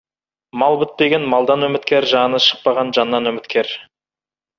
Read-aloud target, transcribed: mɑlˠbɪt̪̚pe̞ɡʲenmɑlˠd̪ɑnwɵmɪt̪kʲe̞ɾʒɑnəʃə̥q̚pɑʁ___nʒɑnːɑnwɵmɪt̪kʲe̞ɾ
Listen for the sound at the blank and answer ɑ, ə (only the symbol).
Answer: ɑ